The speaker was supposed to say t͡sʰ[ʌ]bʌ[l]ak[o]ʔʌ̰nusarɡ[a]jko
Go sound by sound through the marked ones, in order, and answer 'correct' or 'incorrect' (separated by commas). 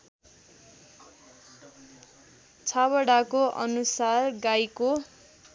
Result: incorrect, incorrect, correct, correct